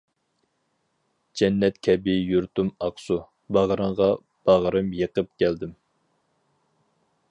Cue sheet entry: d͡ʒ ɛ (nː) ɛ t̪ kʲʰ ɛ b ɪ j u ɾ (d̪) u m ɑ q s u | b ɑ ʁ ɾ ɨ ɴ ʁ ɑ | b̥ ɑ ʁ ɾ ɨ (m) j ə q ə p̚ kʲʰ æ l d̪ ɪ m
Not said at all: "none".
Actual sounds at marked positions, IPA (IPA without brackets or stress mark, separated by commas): nː, t̪, m